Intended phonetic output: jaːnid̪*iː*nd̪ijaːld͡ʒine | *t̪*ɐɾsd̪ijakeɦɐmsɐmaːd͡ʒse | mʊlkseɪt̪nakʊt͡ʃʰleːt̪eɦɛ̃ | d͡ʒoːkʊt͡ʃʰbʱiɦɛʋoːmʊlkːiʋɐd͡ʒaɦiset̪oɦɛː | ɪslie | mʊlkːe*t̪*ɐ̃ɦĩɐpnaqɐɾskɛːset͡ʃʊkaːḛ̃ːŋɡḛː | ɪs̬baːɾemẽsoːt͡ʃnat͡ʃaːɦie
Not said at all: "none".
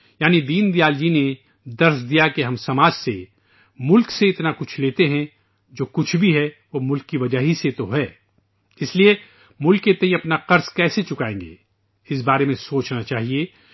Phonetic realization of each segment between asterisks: iː, d̪, t̪

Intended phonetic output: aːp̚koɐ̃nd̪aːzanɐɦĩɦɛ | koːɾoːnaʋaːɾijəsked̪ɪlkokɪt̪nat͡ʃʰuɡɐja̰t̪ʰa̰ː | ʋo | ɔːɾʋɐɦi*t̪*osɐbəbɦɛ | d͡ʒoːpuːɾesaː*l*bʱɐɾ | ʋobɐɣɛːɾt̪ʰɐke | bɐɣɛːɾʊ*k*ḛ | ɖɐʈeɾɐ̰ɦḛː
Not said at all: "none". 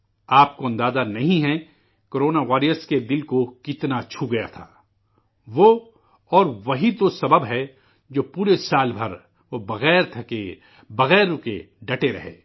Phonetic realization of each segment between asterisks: t̪, l, k

